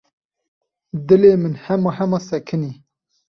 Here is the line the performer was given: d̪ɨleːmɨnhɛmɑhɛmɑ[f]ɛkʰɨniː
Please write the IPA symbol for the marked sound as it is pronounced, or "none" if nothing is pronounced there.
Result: s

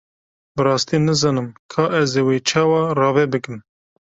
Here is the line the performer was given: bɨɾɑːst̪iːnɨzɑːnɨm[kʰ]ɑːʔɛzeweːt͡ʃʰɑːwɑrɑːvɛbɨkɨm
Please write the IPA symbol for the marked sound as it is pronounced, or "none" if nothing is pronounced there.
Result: kʰ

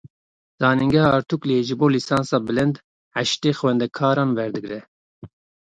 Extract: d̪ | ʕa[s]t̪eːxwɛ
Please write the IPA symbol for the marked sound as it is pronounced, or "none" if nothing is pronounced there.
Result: ʃ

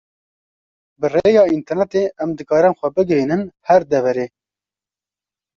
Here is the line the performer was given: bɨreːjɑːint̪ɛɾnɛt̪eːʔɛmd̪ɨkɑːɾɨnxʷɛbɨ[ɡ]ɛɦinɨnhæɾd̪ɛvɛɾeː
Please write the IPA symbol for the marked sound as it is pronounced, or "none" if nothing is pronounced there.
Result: ɡ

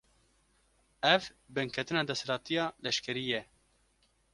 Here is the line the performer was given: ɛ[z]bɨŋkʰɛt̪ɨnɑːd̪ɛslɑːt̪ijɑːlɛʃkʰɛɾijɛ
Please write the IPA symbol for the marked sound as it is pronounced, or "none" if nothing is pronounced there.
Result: v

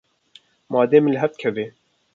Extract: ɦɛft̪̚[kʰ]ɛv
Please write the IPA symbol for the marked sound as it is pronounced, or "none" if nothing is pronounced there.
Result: kʰ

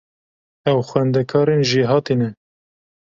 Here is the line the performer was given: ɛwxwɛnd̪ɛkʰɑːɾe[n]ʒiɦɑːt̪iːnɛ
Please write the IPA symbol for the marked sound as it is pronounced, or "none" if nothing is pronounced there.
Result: n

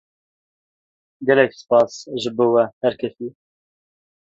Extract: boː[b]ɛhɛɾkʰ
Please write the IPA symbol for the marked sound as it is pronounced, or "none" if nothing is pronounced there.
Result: w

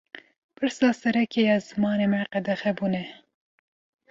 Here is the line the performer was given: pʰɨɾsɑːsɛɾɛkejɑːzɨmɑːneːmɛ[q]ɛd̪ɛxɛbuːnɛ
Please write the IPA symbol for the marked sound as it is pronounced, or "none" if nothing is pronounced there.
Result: q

